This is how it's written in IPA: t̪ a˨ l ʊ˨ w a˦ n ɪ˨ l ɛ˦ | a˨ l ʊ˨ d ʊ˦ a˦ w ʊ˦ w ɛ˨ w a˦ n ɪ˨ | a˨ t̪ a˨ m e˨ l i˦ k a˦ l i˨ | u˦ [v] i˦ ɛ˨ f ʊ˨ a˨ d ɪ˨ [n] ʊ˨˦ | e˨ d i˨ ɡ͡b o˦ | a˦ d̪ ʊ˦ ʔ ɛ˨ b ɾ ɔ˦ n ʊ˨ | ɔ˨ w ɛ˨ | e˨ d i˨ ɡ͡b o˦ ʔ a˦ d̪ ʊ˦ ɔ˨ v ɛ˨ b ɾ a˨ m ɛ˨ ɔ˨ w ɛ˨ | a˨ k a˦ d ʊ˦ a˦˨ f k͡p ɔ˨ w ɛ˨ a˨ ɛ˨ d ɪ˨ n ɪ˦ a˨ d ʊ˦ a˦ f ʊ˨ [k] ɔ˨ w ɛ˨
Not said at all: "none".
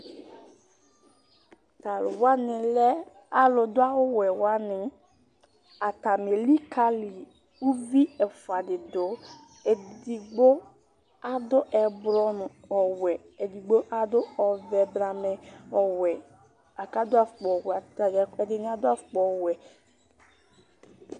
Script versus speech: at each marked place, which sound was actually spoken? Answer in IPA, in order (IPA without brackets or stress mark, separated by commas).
v, d, k͡p